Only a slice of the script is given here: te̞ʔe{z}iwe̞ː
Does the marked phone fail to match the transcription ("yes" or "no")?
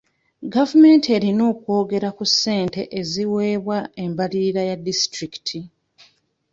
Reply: no